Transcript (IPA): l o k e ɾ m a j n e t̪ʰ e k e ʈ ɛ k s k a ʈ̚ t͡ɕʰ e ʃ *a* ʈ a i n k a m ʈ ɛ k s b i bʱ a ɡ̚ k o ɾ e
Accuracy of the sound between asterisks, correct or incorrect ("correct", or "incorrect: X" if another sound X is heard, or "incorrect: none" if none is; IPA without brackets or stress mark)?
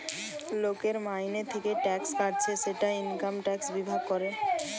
incorrect: e